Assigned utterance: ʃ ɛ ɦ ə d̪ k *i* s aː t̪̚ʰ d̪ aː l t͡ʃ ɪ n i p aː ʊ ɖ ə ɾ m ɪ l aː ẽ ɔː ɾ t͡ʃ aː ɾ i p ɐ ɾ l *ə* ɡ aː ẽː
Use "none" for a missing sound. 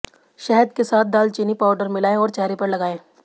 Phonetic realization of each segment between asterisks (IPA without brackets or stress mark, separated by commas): e, ɐ